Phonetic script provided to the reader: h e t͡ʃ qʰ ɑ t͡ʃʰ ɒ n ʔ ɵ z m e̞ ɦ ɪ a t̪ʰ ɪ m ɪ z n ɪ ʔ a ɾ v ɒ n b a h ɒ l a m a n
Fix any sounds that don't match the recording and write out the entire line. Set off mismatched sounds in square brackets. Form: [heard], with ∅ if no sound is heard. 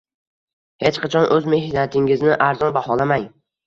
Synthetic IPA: h e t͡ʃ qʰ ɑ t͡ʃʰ ɒ n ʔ ɵ z m e̞ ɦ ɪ a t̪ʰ ɪ [ŋ] ɪ z n ɪ ʔ a ɾ [z] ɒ n b a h ɒ l a m a [ŋ]

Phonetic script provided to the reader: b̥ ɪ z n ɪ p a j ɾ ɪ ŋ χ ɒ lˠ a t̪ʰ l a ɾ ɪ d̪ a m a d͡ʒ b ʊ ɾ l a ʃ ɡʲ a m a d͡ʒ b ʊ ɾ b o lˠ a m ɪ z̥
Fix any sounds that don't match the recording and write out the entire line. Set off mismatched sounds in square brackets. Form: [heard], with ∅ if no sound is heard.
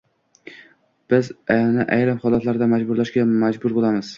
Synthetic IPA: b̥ ɪ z n ɪ [ʔ] a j ɾ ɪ [m] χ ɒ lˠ a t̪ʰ l a ɾ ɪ d̪ a m a d͡ʒ b ʊ ɾ l a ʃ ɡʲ a m a d͡ʒ b ʊ ɾ b o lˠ a m ɪ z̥

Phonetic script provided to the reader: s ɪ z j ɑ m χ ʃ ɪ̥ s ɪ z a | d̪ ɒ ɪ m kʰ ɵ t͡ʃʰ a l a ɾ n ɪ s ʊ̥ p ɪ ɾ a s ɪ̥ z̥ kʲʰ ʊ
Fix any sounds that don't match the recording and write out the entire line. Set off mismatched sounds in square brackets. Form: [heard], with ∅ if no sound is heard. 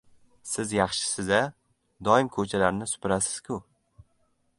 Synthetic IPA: s ɪ z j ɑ [∅] χ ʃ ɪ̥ s ɪ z a | d̪ ɒ ɪ m kʰ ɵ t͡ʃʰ a l a ɾ n ɪ s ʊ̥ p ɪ ɾ a s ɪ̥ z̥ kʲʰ ʊ

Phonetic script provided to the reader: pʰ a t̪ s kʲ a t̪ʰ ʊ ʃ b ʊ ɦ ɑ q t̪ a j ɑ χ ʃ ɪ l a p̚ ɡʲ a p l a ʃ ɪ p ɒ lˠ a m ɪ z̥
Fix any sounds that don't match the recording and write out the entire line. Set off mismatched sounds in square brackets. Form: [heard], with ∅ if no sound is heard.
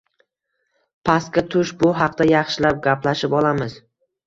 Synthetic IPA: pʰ a [∅] s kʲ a t̪ʰ ʊ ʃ b ʊ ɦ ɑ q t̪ a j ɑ χ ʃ ɪ l a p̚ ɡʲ a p l a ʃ ɪ p ɒ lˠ a m ɪ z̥

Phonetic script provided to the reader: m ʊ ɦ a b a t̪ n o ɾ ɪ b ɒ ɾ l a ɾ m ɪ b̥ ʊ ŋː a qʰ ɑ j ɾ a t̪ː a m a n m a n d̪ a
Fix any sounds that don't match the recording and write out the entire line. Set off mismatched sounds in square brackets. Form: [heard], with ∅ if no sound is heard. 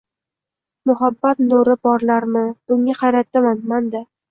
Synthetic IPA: m ʊ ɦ a [bː] a t̪ n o ɾ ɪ b ɒ ɾ l a ɾ m ɪ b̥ ʊ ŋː a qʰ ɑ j ɾ a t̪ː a m a n m a n d̪ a

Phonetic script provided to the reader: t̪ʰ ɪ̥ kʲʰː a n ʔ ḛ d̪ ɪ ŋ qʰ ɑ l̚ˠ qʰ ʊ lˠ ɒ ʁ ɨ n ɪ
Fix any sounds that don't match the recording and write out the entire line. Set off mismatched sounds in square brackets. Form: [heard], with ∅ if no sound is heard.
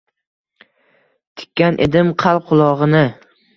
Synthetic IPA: t̪ʰ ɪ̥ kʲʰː a n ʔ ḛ d̪ ɪ [m] qʰ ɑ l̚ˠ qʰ ʊ lˠ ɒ ʁ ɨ n ɪ

